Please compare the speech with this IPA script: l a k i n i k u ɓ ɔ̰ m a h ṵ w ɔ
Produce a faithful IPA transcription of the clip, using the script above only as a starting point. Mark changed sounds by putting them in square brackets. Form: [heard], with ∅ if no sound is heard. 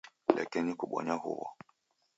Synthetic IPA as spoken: l a k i n i k u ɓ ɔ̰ [ɲ] a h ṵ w ɔ

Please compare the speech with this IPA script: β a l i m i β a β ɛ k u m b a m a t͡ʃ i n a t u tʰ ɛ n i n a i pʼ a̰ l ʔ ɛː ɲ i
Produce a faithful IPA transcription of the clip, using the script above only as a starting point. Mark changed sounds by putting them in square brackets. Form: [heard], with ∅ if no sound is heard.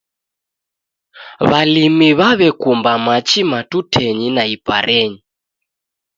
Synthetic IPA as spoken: β a l i m i β a β ɛ k u m b a m a t͡ʃ i [m] a t u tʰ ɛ [ɲ] i n a i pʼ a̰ [ɾ] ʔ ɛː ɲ i

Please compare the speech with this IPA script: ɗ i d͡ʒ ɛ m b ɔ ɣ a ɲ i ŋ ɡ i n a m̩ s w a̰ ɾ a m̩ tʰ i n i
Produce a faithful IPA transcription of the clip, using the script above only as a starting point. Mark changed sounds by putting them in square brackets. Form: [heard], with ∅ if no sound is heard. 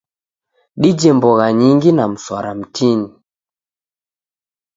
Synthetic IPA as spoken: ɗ i d͡ʒ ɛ m b ɔ ɣ a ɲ i ŋ ɡ i n a m̩ s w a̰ ɾ a m̩ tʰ i n i

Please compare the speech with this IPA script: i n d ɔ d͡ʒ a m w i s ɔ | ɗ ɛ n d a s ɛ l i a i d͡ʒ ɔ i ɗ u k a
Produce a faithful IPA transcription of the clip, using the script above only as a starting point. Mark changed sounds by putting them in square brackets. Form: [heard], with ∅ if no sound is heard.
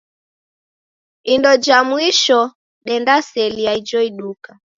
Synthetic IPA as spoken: i n d ɔ d͡ʒ a m w i [ʃ] ɔ | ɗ ɛ n d a s ɛ l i a i d͡ʒ ɔ i ɗ u k a

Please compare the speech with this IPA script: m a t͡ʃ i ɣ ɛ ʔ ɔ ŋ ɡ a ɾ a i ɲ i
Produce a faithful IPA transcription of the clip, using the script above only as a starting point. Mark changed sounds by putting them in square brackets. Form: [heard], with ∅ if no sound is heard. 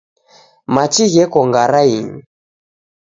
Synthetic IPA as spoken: m a t͡ʃ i ɣ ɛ [k] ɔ ŋ ɡ a ɾ a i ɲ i

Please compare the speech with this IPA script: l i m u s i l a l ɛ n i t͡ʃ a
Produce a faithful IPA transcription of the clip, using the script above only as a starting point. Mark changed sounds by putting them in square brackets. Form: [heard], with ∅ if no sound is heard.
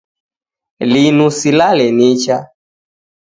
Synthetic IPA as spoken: l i [n] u s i l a l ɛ n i t͡ʃ a

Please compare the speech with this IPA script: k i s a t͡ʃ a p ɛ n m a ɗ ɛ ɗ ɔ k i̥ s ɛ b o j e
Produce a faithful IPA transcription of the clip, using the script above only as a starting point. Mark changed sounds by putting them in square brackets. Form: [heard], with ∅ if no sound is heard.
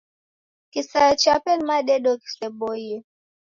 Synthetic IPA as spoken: k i s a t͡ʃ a p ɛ n m a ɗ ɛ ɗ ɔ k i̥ s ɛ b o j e

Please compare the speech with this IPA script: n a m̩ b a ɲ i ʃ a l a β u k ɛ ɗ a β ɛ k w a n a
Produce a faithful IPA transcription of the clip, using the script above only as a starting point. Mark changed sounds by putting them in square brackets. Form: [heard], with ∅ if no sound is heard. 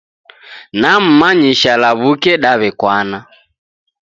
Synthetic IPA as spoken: n a m̩ [m] a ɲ i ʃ a l a β u k ɛ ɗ a β ɛ k w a n a

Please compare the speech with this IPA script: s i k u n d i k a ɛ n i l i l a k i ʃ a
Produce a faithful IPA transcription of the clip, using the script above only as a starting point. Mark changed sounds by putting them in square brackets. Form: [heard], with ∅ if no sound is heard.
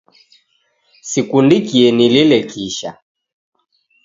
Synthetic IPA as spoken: s i k u n d i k [i] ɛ n i l i l [ɛ] k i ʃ a

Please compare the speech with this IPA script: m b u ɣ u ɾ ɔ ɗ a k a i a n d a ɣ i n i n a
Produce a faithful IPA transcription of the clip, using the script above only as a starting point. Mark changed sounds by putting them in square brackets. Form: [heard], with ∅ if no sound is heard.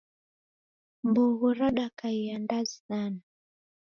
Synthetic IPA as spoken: m b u ɣ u ɾ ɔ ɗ a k a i a n d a [z] i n [a] n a

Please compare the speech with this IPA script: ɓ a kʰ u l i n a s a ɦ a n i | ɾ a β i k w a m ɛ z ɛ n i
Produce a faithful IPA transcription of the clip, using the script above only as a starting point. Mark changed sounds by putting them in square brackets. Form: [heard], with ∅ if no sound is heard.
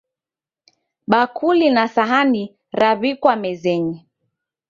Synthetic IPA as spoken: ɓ a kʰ u l i n a s a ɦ a n i | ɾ a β i k w a m ɛ z ɛ [ɲ] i

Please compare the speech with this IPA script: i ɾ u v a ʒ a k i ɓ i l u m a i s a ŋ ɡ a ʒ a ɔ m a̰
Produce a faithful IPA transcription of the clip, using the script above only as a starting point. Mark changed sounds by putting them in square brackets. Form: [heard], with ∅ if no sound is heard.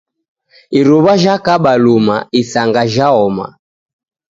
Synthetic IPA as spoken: i ɾ u [β] a ʒ a k [a] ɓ [a] l u m a i s a ŋ ɡ a ʒ a ɔ m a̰

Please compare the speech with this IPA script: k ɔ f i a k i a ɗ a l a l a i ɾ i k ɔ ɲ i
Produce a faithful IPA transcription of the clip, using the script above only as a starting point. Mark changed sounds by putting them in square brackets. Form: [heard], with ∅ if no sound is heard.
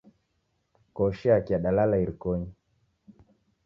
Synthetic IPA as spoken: k ɔ [ʃ] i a k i a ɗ a l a l a i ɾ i k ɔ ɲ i

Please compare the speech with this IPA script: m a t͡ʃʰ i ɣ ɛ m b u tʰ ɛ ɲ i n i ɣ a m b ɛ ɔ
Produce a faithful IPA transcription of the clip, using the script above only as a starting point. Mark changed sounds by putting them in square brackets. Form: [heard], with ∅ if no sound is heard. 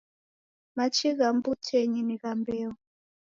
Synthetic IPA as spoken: m a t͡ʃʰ i ɣ [a] m b u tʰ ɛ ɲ i n i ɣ a m b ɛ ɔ

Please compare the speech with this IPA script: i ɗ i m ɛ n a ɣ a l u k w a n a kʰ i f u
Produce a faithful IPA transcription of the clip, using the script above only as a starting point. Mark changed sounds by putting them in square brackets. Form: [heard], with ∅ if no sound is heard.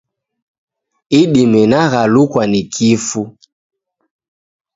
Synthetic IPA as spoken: i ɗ i m ɛ n a ɣ a l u k w a n [i] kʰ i f u

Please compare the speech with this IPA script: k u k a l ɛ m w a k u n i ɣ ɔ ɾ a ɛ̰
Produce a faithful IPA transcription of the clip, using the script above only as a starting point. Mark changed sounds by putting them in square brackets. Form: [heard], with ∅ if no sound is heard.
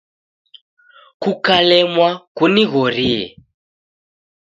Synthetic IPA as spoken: k u k a l ɛ m w a k u n i ɣ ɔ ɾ [i] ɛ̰

